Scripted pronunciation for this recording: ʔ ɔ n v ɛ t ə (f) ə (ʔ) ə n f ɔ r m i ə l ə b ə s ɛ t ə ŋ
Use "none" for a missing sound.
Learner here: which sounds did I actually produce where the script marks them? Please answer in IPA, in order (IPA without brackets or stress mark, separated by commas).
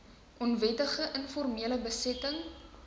χ, ʔ